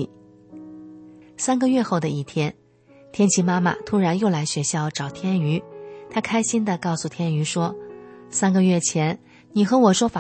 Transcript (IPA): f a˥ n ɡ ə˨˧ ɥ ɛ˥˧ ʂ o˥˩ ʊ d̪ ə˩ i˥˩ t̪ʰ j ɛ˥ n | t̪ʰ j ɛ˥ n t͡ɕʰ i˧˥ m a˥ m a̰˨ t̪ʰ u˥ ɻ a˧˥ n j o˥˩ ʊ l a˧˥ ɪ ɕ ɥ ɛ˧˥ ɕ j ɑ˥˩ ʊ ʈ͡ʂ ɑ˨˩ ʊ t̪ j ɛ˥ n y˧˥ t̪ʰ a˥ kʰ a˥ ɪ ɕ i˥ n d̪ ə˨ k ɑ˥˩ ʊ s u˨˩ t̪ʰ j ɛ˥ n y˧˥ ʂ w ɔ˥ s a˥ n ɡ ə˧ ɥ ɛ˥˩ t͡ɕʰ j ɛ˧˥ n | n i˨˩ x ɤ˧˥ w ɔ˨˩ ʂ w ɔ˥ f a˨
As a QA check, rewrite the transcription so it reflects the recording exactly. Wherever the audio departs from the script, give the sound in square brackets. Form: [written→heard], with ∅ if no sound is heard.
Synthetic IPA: [f→s] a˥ n ɡ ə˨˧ ɥ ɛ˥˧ [ʂ→x] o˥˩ ʊ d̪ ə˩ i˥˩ t̪ʰ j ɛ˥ n | t̪ʰ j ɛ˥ n t͡ɕʰ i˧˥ m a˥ m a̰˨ t̪ʰ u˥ ɻ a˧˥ n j o˥˩ ʊ l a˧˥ ɪ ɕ ɥ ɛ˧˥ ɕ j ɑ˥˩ ʊ ʈ͡ʂ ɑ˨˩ ʊ [t̪→t̪ʰ] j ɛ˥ n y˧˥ t̪ʰ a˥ kʰ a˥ ɪ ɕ i˥ n d̪ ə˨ k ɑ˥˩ ʊ s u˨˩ t̪ʰ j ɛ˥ n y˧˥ ʂ w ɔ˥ s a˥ n ɡ ə˧ ɥ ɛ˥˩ t͡ɕʰ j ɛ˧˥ n | n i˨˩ x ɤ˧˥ w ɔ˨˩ ʂ w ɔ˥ f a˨